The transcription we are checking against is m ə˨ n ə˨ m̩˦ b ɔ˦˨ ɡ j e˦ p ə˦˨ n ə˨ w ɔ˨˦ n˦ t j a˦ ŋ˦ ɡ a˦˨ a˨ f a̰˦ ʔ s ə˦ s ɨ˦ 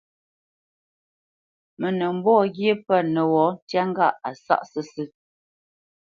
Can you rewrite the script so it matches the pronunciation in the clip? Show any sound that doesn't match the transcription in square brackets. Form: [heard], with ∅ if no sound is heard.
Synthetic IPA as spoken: m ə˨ n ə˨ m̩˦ b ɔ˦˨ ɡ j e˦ p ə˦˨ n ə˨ w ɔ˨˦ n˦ t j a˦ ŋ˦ ɡ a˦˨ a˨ [s] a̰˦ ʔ s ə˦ s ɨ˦